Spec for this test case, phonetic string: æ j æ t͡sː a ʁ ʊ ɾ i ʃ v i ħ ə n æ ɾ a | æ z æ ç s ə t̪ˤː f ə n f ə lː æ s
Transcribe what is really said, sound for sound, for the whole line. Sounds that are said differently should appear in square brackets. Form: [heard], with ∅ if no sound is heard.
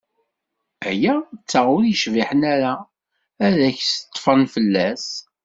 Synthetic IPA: æ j æ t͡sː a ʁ ʊ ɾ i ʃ v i ħ ə n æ ɾ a | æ [ð] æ ç s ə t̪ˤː f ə n f ə lː æ s